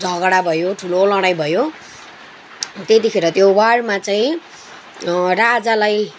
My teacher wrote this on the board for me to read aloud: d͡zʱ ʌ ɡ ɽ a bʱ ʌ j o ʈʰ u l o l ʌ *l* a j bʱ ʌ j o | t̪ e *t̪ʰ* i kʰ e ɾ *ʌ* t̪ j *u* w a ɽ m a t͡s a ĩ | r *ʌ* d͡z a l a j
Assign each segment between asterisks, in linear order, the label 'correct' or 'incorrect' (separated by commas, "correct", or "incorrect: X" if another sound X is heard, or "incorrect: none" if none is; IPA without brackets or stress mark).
incorrect: ɽ, incorrect: t̪, correct, incorrect: o, incorrect: a